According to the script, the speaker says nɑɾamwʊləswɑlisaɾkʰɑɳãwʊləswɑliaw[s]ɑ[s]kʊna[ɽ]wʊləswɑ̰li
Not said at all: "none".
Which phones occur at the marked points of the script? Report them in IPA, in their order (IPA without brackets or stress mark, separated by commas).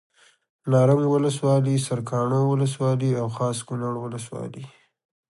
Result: x, s, ɽ